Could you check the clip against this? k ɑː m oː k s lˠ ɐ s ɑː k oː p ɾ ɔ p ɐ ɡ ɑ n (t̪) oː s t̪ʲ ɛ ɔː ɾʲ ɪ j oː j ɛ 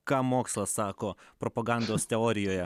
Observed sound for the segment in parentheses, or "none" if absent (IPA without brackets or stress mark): d̪